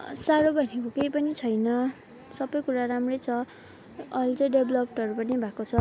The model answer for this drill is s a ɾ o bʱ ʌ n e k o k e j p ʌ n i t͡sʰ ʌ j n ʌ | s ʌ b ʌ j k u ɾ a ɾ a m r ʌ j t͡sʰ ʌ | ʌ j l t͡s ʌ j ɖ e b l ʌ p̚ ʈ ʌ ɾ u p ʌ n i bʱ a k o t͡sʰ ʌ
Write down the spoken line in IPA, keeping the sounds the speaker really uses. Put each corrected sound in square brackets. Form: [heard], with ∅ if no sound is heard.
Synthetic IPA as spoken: s a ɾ o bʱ ʌ n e k o k e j p ʌ n i t͡sʰ ʌ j n ʌ | s ʌ b ʌ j k u ɾ a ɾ a m r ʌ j t͡sʰ ʌ | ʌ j l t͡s ʌ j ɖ e b l ʌ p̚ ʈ ʌ ɾ u p ʌ n i bʱ a k o t͡sʰ ʌ

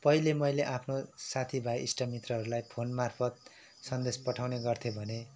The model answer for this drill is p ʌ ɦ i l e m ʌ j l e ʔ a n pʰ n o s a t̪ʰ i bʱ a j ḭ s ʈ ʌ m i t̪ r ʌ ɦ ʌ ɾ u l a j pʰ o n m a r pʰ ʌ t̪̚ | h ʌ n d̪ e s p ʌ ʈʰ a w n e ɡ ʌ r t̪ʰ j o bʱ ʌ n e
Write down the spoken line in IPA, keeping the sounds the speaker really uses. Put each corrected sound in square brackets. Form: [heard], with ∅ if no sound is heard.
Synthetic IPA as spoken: p ʌ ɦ i l e m ʌ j l e ʔ a [∅] pʰ n o s a t̪ʰ i bʱ a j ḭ s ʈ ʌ m i t̪ r ʌ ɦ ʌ ɾ u l a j pʰ o n m a r pʰ ʌ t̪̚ | [s] ʌ n d̪ e s p ʌ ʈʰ a w n e ɡ ʌ r t̪ʰ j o bʱ ʌ n e

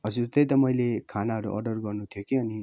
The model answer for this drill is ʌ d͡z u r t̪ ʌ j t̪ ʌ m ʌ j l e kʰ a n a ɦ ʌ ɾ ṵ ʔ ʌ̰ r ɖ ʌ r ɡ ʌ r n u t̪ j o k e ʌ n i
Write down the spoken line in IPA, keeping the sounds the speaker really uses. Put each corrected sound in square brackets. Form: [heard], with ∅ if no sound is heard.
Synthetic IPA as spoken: ʌ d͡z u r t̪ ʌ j t̪ ʌ m ʌ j l e kʰ a n a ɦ ʌ ɾ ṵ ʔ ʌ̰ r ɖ ʌ r ɡ ʌ r n u [t̪ʰ] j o k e ʌ n i

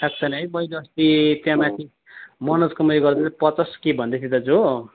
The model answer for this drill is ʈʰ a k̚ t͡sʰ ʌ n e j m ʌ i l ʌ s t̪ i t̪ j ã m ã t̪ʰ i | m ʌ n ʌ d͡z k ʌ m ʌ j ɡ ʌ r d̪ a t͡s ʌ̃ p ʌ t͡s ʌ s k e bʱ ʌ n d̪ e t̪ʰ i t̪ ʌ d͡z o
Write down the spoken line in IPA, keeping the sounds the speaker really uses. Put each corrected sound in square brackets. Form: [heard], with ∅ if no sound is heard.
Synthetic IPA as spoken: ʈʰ a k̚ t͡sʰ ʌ n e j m ʌ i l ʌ s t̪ i t̪ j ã m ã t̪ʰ i | m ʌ n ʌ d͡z k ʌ m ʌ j ɡ ʌ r d̪ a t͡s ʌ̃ p ʌ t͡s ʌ s k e bʱ ʌ n d̪ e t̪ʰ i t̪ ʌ d͡z o

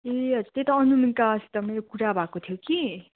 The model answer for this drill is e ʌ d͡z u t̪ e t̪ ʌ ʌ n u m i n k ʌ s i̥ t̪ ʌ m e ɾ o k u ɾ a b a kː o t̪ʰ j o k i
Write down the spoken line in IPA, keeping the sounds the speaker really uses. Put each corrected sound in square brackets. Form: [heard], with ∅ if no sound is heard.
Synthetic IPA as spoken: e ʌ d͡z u t̪ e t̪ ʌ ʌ n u m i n k [a] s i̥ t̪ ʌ m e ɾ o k u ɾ a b a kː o t̪ʰ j o k i

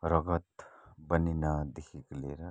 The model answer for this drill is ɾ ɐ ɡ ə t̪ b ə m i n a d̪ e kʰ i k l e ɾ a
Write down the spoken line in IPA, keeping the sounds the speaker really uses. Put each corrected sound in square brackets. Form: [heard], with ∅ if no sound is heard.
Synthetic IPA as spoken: ɾ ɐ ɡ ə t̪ b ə [n] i n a d̪ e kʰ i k l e ɾ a

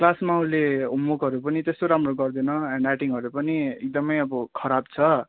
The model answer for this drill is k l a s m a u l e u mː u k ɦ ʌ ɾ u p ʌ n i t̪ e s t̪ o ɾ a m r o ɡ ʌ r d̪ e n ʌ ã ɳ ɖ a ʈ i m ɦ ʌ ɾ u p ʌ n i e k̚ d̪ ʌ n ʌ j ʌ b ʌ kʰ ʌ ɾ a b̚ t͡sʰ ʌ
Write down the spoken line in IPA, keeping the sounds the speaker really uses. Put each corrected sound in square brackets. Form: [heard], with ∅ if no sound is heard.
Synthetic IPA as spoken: k l a s m a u l e u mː u k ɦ ʌ ɾ u p ʌ n i t̪ e s t̪ o ɾ a m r o ɡ ʌ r d̪ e n ʌ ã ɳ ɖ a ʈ i [ŋ] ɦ ʌ ɾ u p ʌ n i e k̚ d̪ ʌ [m] ʌ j ʌ b ʌ kʰ ʌ ɾ a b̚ t͡sʰ ʌ

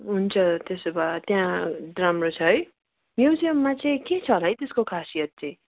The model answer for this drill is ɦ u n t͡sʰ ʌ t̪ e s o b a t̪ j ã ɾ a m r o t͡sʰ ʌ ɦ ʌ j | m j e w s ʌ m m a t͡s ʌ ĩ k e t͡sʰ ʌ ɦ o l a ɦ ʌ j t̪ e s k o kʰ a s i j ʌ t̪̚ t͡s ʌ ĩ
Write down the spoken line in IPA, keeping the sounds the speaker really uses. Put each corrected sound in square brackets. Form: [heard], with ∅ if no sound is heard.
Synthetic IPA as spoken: ɦ u n t͡sʰ ʌ t̪ e s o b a t̪ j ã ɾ a m r o t͡sʰ ʌ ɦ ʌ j | m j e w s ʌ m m a t͡s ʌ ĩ k e t͡sʰ ʌ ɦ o l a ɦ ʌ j t̪ e s k o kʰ a s i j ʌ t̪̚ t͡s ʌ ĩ

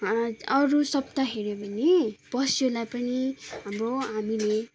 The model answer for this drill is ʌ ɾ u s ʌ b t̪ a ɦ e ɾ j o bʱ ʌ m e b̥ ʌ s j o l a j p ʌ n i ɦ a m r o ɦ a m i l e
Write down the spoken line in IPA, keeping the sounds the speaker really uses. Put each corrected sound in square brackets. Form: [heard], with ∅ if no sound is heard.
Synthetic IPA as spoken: ʌ ɾ u s ʌ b t̪ a ɦ e ɾ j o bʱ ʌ [n] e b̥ ʌ s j o l a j p ʌ n i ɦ a m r o ɦ a m i l e

